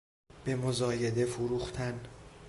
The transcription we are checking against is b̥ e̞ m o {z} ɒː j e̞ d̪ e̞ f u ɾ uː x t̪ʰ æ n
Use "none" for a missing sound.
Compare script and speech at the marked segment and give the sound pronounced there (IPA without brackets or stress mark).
z